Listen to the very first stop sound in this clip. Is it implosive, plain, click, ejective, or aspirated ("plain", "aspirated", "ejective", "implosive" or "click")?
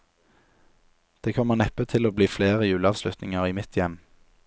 plain